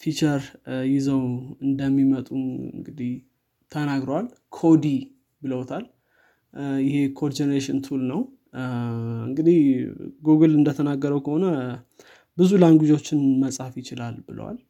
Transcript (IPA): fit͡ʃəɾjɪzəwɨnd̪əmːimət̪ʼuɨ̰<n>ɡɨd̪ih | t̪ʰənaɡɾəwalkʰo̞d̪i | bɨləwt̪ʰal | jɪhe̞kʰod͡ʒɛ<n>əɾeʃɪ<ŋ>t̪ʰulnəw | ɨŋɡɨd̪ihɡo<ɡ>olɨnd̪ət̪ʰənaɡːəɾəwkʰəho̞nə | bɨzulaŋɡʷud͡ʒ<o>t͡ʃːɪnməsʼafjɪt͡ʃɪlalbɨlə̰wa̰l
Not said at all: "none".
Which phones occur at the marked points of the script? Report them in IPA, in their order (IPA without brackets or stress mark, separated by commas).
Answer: ŋ, n, n, ɡ, o